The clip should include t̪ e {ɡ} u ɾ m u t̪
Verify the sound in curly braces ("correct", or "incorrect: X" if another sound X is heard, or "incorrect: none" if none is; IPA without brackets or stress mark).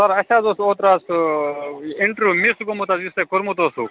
incorrect: k